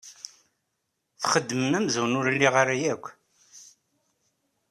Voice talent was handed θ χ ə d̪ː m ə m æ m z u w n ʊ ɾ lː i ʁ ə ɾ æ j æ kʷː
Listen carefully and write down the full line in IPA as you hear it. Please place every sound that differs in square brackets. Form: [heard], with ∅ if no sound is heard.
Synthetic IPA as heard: θ χ ə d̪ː m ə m æ m z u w n ʊ ɾ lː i ʁ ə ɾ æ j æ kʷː